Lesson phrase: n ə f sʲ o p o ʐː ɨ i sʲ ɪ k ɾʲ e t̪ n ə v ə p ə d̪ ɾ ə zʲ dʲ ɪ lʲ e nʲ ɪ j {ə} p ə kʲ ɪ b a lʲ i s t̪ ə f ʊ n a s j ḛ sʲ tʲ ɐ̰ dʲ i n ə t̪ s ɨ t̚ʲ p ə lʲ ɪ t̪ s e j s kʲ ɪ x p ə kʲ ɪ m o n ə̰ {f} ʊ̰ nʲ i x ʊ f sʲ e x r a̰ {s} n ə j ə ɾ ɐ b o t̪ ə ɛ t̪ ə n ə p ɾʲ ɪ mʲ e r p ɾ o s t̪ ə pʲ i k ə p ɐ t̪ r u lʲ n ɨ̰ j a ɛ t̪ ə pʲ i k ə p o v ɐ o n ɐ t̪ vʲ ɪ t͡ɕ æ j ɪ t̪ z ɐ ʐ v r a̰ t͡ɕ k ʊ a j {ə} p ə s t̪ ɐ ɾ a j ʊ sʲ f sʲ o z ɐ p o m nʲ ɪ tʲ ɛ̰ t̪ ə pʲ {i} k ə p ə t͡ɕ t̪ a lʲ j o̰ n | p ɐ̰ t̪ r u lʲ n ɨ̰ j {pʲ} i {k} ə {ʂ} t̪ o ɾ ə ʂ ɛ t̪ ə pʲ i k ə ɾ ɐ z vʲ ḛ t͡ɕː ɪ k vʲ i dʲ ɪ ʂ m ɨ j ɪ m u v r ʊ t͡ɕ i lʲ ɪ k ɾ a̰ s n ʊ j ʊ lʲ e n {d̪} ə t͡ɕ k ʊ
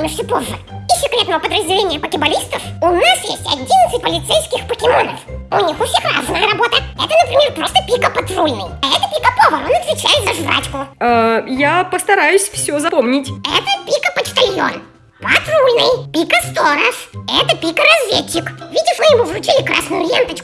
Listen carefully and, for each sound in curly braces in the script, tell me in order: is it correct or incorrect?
correct, correct, incorrect: z, incorrect: a, correct, correct, correct, incorrect: s, incorrect: t̪

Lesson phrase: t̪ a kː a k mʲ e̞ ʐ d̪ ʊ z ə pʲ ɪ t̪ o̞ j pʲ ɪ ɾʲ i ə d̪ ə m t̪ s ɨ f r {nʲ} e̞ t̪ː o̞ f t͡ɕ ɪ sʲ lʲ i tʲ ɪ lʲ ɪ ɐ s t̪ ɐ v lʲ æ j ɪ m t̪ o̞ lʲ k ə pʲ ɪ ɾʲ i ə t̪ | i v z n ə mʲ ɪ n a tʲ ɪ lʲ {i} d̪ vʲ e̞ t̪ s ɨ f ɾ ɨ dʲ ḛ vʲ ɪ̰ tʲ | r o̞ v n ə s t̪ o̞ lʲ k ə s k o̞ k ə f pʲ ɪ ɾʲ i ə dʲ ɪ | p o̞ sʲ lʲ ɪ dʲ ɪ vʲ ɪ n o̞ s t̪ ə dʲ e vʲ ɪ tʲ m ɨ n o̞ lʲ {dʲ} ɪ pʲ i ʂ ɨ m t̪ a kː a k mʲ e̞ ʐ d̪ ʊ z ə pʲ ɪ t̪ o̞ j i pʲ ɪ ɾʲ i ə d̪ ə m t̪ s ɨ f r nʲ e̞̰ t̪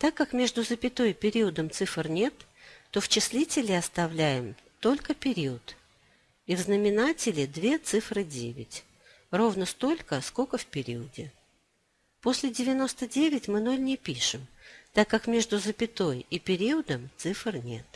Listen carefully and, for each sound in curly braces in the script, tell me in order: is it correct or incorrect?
correct, incorrect: ɪ, incorrect: nʲ

